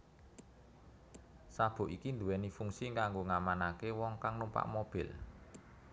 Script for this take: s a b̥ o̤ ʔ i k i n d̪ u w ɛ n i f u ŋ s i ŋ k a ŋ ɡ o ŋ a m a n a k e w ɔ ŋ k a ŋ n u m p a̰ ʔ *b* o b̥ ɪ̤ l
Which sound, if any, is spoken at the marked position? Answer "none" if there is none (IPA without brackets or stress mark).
m